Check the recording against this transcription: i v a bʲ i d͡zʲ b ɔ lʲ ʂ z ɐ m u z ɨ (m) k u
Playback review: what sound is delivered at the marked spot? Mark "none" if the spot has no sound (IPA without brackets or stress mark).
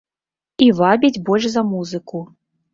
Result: none